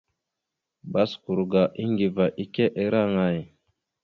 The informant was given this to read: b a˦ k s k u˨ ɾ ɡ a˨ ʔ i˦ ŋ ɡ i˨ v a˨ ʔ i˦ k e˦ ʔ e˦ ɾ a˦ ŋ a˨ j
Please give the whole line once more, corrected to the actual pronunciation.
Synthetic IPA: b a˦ s k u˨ ɾ ɡ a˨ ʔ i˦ ŋ ɡ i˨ v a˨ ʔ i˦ k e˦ ʔ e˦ ɾ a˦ ŋ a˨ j